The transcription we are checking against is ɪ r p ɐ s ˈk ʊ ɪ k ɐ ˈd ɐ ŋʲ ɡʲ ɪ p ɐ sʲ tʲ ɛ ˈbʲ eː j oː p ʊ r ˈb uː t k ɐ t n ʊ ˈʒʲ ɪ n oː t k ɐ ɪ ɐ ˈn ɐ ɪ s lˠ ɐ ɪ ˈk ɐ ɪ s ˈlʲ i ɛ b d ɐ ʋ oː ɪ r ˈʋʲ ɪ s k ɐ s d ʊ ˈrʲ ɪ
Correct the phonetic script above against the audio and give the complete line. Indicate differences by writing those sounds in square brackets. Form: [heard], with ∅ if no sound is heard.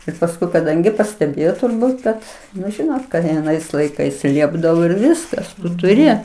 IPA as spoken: ɪ r p ɐ s ˈk ʊ ɪ k ɐ ˈd ɐ ŋʲ ɡʲ ɪ p ɐ sʲ tʲ ɛ ˈbʲ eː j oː [t] ʊ r ˈb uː t k ɐ t n ʊ ˈʒʲ ɪ n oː t k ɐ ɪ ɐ ˈn ɐ ɪ s lˠ ɐ ɪ ˈk ɐ ɪ s ˈlʲ i ɛ b d ɐ ʋ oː ɪ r ˈʋʲ ɪ s k ɐ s [t] ʊ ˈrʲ ɪ